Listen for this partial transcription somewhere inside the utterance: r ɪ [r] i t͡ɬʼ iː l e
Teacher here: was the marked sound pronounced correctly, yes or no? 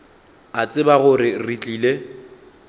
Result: yes